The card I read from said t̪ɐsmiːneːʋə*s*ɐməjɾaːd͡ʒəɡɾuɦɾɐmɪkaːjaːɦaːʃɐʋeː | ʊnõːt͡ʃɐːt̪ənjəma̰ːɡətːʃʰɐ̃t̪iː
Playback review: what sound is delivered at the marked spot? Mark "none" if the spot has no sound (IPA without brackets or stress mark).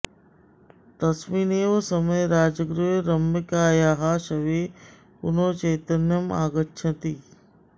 s